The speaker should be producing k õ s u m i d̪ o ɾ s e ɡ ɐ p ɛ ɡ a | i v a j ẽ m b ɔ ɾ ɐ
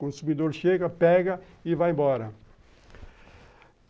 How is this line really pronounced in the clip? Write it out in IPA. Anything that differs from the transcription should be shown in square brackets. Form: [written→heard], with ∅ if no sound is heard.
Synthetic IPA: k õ s u m i d̪ o ɾ [s→ʃ] e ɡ ɐ p ɛ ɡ [a→ɐ] | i v a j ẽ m b ɔ ɾ ɐ